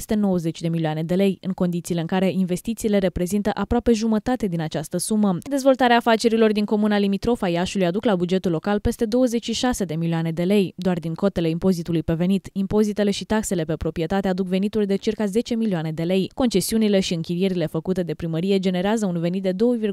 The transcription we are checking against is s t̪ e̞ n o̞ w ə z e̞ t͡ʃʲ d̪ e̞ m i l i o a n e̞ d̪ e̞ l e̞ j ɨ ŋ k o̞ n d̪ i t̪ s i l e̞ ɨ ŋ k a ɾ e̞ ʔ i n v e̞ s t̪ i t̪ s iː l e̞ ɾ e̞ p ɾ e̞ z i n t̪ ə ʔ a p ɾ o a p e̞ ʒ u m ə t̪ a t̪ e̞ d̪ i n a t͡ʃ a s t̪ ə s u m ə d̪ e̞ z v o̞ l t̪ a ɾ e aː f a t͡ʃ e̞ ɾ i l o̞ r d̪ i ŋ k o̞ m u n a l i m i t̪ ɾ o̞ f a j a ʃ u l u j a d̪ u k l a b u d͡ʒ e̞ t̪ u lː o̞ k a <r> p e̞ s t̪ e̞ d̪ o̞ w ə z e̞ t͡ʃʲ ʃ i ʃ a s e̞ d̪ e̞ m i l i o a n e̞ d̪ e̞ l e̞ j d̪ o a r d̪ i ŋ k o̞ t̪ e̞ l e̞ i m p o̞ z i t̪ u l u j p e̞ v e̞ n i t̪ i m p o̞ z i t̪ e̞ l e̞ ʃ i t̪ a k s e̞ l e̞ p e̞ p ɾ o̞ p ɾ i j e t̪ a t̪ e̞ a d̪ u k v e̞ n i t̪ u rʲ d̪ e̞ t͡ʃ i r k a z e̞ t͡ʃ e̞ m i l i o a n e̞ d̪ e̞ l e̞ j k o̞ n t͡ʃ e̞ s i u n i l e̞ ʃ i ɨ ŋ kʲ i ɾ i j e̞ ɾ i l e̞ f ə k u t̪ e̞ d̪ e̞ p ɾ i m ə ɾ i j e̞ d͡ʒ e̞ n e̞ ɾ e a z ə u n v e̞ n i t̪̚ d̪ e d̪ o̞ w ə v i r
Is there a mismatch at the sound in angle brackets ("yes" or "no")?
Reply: yes